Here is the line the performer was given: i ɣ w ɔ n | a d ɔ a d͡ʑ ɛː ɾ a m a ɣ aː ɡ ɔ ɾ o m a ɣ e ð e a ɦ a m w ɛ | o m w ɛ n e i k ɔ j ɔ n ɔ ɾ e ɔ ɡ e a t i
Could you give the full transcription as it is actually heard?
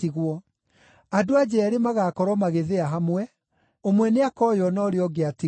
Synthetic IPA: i ɣ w ɔ | a d o a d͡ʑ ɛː ɾ e m a ɣ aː k ɔ ɾ ɔ m a ɣ e ð e a ɦ a m w ɛ | o m w ɛ n e a k ɔ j ɔ n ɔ ɾ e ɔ ɡ e a t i